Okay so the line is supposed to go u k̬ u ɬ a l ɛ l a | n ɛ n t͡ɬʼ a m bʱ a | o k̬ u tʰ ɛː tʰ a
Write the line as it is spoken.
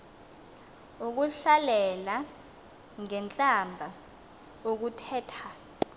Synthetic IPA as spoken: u k̬ u ɬ a l ɛ l a | ŋ ɛ n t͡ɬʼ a m bʱ a | o k̬ u tʰ ɛː tʰ a